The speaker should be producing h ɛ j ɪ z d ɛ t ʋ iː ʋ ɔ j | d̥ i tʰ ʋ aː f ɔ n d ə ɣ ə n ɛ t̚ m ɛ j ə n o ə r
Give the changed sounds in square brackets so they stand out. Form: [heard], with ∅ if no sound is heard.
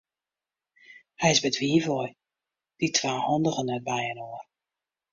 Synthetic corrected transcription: h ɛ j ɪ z [b] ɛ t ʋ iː [v] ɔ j | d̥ i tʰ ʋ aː [h] ɔ n d ə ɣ ə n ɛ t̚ [b] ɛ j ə n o ə r

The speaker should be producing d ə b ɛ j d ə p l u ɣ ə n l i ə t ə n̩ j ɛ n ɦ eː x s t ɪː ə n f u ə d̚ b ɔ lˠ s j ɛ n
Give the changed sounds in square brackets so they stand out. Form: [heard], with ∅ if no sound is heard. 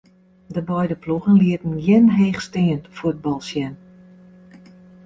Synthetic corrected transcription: d ə b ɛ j d ə p l u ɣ ə n l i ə t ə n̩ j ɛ n ɦ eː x s t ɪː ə n f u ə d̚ b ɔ lˠ s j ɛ n

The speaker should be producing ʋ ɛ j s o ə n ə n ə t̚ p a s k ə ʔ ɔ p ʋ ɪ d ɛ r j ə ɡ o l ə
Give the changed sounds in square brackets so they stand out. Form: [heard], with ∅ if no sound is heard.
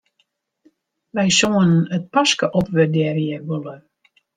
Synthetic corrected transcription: ʋ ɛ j s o ə n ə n ə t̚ p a s k ə ʔ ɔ p ʋ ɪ d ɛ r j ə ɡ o l ə

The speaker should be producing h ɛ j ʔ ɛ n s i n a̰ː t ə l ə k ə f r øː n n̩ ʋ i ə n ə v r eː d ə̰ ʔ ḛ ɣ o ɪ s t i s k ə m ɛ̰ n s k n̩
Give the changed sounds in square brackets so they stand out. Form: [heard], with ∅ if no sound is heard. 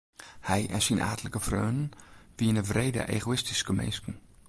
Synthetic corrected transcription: h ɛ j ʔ ɛ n s i n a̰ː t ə l ə k ə f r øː n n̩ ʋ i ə n ə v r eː d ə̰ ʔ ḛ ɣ o ɪ s t i s k ə m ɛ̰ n s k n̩

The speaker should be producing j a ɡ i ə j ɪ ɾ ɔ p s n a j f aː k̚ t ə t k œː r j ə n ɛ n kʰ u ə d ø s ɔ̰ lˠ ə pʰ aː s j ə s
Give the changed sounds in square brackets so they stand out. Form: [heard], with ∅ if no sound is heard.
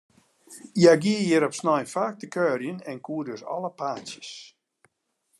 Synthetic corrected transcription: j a ɡ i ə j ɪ ɾ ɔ p s n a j f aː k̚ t ə [∅] k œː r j ə n ɛ n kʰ u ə d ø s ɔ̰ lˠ ə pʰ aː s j ə s

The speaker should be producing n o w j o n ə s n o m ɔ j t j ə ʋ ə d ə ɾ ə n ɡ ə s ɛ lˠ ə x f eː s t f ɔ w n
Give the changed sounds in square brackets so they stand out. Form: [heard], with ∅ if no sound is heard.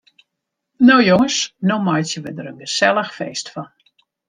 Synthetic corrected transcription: n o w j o [ŋ] ə s n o m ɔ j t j ə ʋ ə d ə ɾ ə n ɡ ə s ɛ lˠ ə x f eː s t f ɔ [∅] n

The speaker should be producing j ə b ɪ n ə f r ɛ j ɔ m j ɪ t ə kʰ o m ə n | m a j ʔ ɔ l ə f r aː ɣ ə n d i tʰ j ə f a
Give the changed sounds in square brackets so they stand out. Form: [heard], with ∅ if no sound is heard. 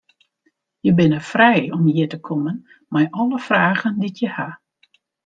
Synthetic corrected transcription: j ə b ɪ n ə f r ɛ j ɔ m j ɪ t ə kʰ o m ə n | m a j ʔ ɔ l ə f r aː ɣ ə n d i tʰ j ə [h] a

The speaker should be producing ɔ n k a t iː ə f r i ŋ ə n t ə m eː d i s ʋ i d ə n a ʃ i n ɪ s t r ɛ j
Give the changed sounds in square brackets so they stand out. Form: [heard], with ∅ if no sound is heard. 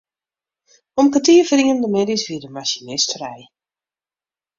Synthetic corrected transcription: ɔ [m] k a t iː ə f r i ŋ ə n [d] ə m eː d i s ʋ i d ə [m] a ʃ i n ɪ s t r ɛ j

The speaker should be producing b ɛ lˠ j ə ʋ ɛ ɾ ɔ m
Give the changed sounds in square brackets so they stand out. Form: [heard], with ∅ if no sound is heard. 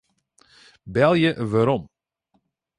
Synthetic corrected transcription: b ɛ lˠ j ə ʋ [a] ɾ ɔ m

